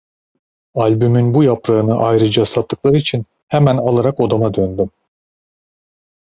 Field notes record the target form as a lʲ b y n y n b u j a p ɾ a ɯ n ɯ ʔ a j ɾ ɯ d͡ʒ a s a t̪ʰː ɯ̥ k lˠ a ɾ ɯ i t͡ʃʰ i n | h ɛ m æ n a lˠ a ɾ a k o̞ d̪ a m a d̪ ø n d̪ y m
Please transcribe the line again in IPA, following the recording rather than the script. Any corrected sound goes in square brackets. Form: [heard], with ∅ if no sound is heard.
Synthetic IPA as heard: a lʲ b y [m] y n b u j a p ɾ a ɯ n ɯ ʔ a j ɾ ɯ d͡ʒ a s a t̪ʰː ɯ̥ k lˠ a ɾ ɯ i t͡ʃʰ i n | h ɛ m æ n a lˠ a ɾ a k o̞ d̪ a m a d̪ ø n d̪ y m